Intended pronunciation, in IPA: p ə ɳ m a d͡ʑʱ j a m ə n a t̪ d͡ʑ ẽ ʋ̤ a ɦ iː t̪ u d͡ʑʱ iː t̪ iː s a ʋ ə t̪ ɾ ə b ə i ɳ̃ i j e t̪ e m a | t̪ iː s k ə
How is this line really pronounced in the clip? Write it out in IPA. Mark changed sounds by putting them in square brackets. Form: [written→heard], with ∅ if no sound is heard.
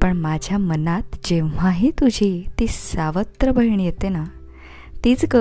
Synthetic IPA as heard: p ə ɳ m a d͡ʑʱ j a m ə n a t̪ d͡ʑ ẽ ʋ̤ a ɦ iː t̪ u d͡ʑʱ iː t̪ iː s a ʋ ə t̪ ɾ ə b ə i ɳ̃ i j e t̪ e [m→n] a | t̪ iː [s→t͡s] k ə